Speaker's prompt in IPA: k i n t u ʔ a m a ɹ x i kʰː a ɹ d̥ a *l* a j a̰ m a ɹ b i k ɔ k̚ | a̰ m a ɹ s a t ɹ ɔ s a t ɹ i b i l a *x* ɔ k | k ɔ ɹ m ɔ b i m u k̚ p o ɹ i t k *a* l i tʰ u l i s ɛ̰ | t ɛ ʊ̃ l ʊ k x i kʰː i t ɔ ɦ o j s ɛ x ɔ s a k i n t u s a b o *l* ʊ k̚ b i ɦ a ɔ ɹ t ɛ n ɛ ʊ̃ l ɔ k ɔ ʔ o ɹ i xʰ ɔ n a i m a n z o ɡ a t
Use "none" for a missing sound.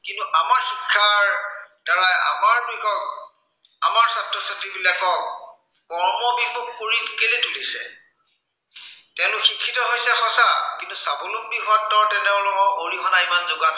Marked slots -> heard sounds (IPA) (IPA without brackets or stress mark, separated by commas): ɹ, k, e, l